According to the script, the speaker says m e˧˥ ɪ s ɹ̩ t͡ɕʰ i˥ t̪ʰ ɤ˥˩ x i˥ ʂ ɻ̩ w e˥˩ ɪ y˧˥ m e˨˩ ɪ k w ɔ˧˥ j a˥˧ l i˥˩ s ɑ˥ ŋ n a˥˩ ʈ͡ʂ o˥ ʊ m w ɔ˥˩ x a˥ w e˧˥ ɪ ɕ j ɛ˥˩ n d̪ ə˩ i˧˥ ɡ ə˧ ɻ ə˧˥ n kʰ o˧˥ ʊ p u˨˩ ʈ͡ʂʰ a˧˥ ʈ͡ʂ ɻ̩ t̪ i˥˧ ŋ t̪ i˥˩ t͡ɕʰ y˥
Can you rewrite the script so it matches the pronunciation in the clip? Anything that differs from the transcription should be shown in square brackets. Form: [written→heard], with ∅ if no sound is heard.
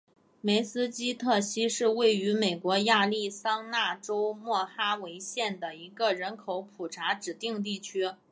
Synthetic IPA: m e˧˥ ɪ s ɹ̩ [t͡ɕʰ→t͡ɕ] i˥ t̪ʰ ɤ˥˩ [x→ɕ] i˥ ʂ ɻ̩ w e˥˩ ɪ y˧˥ m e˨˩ ɪ k w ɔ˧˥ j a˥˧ l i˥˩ s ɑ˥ ŋ n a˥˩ ʈ͡ʂ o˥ ʊ m w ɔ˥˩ x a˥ w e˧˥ ɪ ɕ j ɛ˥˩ n d̪ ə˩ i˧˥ ɡ ə˧ ɻ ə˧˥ n kʰ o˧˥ ʊ [p→pʰ] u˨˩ ʈ͡ʂʰ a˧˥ ʈ͡ʂ ɻ̩ t̪ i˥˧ ŋ t̪ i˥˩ t͡ɕʰ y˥